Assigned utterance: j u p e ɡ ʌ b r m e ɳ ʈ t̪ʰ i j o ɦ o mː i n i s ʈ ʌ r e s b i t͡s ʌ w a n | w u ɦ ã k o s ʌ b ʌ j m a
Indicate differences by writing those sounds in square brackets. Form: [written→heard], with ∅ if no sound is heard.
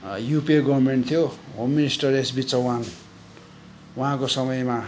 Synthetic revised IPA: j u p e ɡ ʌ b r m e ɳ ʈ t̪ʰ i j o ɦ o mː i n i s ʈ ʌ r e s b i t͡s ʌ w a n | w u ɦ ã k o s ʌ [b→m] ʌ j m a